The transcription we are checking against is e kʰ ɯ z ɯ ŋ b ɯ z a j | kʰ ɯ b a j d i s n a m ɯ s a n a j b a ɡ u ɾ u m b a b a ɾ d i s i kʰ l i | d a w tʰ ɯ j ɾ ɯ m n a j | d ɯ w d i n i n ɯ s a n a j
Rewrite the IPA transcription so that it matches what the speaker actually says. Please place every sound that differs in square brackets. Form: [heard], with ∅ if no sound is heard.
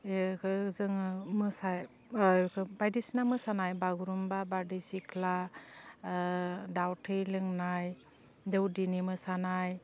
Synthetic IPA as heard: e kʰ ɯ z ɯ ŋ [m] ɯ [s] a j | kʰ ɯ b a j d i s n a m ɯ s a n a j b a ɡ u ɾ u m b a b a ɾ d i s i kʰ l [a] | d a w tʰ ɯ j [l] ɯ [ŋ] n a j | d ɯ w d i n i [m] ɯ s a n a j